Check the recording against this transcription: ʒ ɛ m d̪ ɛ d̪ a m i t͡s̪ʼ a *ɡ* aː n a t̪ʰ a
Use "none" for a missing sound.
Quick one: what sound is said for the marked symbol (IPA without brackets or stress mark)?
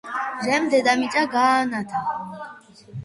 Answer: ɡ